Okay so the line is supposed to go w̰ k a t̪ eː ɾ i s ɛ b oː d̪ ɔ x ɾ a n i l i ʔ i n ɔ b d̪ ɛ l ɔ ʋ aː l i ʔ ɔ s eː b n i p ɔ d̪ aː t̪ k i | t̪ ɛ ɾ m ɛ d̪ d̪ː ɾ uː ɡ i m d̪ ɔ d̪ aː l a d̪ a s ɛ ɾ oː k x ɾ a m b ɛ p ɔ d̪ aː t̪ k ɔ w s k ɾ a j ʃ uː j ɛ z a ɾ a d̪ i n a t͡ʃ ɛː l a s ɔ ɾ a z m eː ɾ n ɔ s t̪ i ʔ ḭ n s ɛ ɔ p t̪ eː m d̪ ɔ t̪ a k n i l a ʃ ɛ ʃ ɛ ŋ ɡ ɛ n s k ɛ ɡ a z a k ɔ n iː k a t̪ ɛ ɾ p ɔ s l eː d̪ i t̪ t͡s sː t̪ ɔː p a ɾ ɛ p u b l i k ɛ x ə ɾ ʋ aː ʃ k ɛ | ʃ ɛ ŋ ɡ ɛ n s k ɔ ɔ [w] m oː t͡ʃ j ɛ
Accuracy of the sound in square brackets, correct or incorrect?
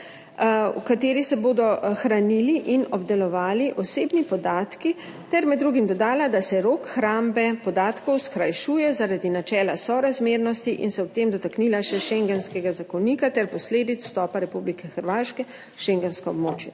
incorrect